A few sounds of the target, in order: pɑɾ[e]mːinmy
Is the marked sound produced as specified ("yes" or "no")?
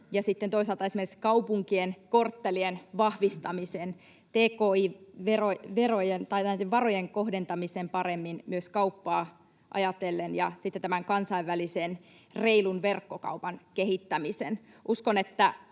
yes